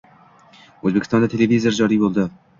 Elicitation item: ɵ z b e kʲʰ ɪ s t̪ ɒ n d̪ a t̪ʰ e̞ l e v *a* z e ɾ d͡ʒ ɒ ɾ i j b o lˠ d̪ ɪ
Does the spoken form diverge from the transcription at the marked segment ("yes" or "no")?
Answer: yes